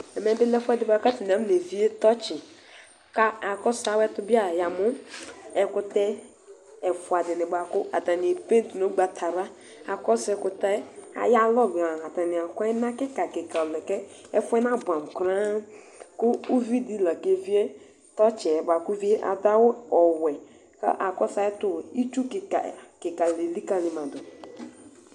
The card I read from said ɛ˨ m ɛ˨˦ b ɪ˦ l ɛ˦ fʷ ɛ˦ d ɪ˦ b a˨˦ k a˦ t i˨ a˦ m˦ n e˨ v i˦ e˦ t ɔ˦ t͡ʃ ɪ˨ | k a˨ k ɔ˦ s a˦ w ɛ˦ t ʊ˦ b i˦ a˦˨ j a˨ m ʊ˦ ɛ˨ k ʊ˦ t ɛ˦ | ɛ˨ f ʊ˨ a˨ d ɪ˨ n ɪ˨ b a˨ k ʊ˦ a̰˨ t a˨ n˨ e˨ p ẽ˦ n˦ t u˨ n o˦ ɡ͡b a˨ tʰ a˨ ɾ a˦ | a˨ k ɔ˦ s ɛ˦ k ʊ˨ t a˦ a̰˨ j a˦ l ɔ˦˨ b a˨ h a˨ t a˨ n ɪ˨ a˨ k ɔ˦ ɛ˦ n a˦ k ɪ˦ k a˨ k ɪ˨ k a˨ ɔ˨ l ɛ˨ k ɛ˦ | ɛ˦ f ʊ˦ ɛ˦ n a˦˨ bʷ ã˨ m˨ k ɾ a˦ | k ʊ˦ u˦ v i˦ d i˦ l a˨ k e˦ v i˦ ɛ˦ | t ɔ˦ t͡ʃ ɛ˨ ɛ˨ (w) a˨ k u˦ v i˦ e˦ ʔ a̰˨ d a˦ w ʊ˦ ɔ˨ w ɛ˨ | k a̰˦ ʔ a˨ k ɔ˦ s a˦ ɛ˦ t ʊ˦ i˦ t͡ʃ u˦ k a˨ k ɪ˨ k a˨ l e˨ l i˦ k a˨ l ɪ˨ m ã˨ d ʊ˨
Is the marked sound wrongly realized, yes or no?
yes